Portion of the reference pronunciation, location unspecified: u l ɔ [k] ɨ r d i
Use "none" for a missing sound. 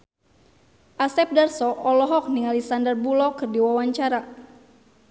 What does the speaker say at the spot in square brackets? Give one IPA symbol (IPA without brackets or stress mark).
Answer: k